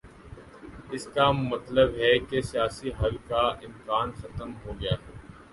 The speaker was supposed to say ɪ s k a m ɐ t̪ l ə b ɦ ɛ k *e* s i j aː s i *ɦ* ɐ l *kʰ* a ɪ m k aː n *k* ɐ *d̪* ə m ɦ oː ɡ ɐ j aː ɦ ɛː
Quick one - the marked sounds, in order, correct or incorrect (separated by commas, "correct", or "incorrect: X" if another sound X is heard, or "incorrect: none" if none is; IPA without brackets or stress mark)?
correct, correct, incorrect: k, incorrect: x, incorrect: t̪